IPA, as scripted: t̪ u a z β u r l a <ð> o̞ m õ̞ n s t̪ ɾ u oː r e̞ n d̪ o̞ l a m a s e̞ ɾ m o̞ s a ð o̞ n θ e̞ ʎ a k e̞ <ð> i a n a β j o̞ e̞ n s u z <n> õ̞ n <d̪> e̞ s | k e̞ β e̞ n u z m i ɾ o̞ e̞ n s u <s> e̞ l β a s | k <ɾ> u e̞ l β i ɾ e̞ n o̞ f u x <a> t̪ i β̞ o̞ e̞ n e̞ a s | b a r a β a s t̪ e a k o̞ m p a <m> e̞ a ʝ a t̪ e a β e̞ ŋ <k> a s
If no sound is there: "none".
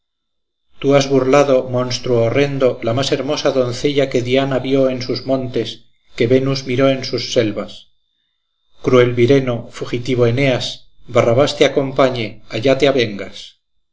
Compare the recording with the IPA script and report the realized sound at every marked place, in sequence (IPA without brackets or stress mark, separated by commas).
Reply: ð, ð, m, t̪, sː, ɾ, i, ɲ, ɡ